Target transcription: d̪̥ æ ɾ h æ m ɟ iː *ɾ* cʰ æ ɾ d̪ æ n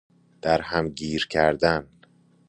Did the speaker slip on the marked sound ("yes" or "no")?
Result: no